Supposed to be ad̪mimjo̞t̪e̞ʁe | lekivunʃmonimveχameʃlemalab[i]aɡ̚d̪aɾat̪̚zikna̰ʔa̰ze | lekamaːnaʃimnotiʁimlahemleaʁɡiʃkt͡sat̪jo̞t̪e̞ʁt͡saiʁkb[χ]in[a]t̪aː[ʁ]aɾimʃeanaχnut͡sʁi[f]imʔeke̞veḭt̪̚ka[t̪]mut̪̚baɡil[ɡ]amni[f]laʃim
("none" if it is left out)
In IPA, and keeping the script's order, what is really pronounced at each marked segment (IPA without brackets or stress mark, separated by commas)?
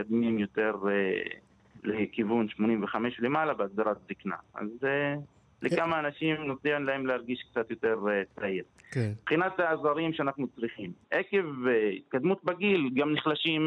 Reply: e, χ, a, z, χ, d̪, ɡ, χ